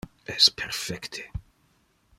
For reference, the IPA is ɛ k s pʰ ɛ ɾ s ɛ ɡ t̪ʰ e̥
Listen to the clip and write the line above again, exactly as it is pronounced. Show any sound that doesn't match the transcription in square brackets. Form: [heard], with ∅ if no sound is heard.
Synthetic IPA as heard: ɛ [∅] s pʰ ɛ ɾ [f] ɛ [k] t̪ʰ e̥